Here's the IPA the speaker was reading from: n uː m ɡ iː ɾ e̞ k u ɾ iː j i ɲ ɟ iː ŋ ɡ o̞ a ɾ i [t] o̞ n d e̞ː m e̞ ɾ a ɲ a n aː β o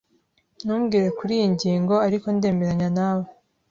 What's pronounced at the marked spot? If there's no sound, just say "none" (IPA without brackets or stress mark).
k